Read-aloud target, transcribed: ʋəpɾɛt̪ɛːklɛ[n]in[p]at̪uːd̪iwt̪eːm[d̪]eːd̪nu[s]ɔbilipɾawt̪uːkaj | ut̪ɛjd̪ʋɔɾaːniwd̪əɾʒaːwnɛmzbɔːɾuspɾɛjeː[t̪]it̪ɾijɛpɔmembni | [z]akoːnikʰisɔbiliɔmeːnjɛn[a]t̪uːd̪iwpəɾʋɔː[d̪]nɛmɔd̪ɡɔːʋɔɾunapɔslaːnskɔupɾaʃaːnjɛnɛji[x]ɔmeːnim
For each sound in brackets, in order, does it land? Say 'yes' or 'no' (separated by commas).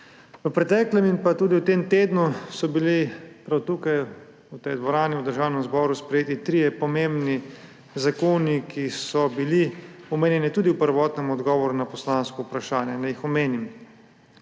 no, yes, no, yes, yes, yes, no, no, yes